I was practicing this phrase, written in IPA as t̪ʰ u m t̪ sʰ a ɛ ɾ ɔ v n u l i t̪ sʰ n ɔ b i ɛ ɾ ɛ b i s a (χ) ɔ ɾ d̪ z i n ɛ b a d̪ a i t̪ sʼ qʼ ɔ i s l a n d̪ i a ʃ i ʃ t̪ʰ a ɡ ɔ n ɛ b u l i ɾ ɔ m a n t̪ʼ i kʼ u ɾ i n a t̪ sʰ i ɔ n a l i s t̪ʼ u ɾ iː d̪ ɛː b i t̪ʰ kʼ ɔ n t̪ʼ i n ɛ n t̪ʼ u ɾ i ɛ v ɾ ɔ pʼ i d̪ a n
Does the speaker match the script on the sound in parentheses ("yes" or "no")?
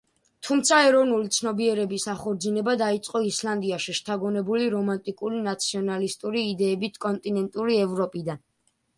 yes